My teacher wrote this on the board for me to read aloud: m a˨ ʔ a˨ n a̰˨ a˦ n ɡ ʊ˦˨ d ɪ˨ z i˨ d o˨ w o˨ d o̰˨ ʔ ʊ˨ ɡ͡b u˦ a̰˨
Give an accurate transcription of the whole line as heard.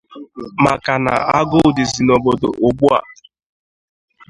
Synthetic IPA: m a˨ k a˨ n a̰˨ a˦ ɡ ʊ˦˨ d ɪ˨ z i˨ n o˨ b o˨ d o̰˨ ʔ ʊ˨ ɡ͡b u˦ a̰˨